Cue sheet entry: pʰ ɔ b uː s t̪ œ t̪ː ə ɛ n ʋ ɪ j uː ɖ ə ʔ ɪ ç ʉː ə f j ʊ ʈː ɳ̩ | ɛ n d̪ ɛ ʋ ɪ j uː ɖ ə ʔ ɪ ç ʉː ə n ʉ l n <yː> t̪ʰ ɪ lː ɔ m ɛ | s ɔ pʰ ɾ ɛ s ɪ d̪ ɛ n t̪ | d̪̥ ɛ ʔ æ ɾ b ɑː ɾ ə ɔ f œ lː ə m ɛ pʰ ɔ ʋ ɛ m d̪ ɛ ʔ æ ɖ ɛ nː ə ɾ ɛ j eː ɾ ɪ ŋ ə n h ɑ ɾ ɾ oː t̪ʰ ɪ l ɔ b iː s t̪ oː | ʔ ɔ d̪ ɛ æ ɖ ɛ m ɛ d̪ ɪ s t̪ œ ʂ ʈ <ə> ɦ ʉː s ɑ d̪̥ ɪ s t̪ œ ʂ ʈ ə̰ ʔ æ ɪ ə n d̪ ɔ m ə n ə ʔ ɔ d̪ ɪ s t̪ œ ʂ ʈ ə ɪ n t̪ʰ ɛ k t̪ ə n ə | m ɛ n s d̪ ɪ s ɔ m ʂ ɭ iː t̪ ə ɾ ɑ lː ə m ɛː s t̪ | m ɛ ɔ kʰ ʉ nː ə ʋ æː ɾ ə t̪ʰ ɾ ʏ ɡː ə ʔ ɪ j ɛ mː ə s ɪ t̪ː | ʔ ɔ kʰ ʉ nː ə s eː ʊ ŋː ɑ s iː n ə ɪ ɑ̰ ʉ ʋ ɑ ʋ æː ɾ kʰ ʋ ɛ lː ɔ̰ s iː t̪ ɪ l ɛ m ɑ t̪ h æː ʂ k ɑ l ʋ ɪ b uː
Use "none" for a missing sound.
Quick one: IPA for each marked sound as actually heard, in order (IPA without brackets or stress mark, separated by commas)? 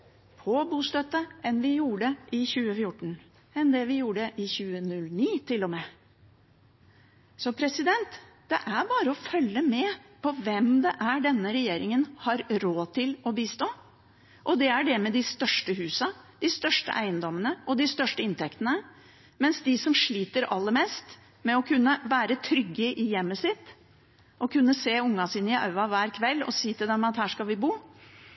iː, ə